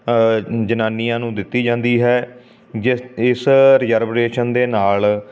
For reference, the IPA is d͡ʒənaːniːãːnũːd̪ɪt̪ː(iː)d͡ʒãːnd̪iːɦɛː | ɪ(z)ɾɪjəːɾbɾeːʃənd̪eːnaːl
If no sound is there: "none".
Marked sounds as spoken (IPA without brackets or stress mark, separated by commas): iː, s